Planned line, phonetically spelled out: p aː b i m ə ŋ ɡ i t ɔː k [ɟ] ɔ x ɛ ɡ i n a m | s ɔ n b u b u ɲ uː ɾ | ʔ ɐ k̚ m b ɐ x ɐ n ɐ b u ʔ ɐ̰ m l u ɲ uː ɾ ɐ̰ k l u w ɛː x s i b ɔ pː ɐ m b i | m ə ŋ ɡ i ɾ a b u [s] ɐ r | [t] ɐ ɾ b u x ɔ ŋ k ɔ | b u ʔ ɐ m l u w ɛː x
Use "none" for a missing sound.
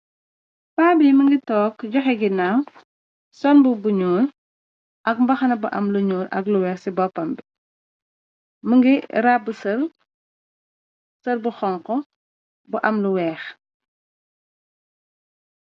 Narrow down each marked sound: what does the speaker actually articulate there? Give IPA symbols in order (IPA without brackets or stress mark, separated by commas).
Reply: ɟ, s, s